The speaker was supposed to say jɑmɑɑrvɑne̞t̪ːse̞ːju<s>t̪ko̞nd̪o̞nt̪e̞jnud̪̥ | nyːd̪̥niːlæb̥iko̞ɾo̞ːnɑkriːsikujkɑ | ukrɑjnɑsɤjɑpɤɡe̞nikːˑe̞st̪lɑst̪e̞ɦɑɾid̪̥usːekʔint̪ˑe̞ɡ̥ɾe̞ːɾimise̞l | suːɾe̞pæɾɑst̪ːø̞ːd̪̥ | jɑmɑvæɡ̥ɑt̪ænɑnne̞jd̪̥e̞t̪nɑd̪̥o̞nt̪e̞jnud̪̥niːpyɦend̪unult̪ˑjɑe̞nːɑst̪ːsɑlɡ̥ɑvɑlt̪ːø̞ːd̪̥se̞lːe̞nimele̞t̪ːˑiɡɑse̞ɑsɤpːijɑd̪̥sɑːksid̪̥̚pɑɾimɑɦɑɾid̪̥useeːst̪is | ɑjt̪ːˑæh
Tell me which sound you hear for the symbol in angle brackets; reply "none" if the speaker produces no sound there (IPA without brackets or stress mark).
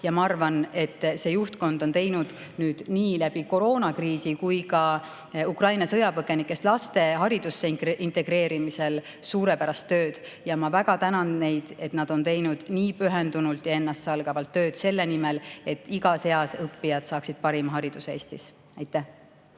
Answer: h